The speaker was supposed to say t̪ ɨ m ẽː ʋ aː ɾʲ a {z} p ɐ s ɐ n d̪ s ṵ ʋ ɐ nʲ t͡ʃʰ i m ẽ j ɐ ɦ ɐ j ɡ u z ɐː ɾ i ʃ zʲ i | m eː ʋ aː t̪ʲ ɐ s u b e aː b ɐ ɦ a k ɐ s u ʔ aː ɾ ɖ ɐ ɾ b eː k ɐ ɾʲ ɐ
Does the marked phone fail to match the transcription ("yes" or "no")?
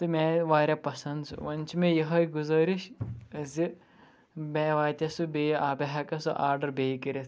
yes